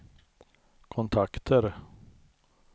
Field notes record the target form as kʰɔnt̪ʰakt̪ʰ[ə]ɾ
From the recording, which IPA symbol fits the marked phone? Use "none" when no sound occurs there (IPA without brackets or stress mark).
ə